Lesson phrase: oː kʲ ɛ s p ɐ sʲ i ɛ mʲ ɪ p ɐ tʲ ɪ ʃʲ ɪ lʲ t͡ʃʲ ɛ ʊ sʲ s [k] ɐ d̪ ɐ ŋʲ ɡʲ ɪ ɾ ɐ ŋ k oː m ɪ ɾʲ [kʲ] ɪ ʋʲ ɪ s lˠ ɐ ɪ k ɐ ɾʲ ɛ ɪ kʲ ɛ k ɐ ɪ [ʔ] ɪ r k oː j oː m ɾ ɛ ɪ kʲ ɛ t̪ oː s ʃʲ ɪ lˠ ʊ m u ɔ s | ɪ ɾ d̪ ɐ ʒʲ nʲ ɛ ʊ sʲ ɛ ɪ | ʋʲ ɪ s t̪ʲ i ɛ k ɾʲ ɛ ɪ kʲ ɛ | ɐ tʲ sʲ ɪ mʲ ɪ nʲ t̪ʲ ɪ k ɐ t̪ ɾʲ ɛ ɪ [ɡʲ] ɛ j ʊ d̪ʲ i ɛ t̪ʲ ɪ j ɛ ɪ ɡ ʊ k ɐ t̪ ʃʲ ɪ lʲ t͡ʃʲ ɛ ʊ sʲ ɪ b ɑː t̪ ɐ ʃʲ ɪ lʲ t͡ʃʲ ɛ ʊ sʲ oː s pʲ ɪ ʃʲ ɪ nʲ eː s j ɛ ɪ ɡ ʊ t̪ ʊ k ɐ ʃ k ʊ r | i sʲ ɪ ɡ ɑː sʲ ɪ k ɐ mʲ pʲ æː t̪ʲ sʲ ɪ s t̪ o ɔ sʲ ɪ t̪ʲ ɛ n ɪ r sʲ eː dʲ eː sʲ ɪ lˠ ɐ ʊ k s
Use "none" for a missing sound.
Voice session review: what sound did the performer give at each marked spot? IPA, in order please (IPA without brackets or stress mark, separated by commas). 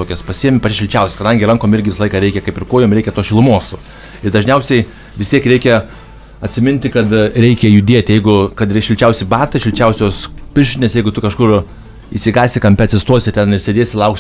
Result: k, ɡʲ, p, kʲ